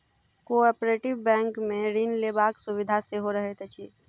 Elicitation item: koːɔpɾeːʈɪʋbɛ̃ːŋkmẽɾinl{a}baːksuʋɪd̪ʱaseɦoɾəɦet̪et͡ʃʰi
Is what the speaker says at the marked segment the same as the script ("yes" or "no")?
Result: no